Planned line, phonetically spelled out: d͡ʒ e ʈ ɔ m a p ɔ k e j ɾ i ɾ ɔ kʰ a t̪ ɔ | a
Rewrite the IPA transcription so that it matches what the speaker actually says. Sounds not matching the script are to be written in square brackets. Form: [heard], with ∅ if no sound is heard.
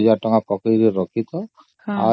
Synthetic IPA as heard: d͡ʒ [a] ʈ ɔ [ŋ] a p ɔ k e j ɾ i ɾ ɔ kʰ [i] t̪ ɔ | a